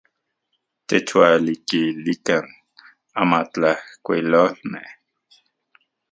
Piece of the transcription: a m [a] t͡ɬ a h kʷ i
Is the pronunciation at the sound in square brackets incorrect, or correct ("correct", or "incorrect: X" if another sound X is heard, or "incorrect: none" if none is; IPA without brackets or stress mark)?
correct